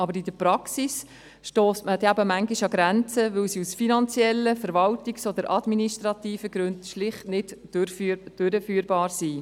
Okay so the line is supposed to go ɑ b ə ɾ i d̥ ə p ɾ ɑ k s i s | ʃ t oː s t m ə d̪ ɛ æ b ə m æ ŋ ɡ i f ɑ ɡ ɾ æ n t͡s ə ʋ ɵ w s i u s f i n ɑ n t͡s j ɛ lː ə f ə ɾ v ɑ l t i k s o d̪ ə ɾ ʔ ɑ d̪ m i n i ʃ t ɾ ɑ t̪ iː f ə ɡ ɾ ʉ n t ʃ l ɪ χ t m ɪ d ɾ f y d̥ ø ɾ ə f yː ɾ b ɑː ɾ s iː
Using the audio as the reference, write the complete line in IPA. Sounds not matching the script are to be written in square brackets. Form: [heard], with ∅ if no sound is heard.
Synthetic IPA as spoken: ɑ b ə ɾ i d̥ ə p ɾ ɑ k s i s | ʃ t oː s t m ə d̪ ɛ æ b ə m æ ŋ ɡ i [ʃ] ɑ ɡ ɾ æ n t͡s ə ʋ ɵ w s i u s f i n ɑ n t͡s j ɛ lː ə f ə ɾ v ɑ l t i k s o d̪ ə ɾ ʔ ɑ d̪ m i n i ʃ t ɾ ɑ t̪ iː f ə ɡ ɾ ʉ n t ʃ l ɪ χ t [n] ɪ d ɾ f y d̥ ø ɾ ə f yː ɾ b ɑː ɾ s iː